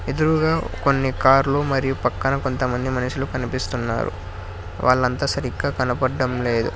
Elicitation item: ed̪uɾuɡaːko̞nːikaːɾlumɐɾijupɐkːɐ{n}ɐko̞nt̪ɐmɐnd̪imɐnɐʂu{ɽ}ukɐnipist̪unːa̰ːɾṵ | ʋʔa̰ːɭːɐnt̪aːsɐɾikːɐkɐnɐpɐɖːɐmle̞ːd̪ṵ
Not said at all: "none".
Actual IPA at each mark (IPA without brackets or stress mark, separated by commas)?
n, l